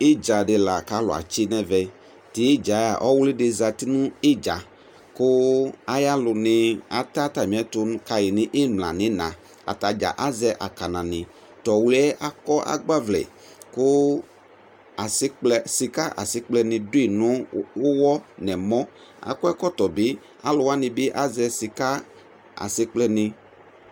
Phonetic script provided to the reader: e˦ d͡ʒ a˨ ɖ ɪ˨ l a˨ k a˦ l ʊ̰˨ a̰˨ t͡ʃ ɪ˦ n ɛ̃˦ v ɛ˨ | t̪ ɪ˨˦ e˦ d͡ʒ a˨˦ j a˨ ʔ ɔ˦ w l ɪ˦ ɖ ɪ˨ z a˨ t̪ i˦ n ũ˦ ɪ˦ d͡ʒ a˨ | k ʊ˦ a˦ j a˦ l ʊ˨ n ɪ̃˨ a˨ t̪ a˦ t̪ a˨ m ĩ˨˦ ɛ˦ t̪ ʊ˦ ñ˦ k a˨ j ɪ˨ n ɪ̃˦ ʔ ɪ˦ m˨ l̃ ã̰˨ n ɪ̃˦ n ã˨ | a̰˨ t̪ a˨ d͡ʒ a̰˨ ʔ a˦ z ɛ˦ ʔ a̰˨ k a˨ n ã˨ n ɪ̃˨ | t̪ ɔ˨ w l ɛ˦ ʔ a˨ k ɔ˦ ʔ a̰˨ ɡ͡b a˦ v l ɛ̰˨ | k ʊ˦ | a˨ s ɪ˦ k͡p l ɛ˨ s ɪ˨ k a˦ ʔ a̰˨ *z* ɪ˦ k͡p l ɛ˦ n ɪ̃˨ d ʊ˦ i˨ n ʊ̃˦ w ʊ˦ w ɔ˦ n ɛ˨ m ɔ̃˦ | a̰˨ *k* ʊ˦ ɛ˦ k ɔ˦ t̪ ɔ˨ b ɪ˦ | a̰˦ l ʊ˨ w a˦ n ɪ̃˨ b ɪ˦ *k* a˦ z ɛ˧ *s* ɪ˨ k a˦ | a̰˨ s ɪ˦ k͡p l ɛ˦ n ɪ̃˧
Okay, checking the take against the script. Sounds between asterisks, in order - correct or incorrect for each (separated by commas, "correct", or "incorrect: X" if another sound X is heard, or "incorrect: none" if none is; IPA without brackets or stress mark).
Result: incorrect: s, correct, incorrect: ʔ, correct